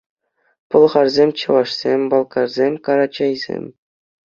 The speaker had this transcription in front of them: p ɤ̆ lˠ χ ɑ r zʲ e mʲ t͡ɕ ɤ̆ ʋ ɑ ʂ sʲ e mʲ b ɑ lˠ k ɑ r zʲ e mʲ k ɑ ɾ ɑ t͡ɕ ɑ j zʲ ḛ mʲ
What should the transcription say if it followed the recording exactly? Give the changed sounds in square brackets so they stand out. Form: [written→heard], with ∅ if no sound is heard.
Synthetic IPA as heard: p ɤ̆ lˠ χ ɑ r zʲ e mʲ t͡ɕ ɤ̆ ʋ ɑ ʂ sʲ e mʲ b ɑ lˠ k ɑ r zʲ e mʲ k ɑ ɾ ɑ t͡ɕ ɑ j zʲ ḛ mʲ